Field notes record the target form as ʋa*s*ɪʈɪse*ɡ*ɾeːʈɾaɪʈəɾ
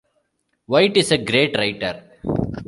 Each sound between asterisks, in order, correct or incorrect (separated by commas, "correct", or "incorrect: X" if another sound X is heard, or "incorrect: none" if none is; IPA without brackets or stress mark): incorrect: none, correct